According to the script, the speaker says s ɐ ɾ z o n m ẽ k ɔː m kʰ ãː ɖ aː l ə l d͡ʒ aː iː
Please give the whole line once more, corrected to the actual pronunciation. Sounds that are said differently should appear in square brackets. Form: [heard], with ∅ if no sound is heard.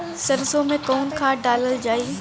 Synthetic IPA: s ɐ ɾ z o [∅] m ẽ k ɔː [n] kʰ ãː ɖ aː l ə l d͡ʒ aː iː